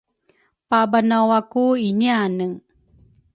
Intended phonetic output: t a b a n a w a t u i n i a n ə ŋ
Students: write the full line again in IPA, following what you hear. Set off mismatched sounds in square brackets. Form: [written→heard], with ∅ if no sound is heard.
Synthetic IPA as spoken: [t→p] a b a n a w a [t→k] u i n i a n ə ŋ